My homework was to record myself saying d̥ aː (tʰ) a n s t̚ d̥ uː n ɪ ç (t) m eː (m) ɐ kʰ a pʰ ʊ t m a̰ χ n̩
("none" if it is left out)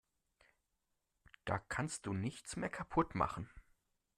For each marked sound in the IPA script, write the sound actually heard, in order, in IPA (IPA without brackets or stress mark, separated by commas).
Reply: kʰ, t͡s, none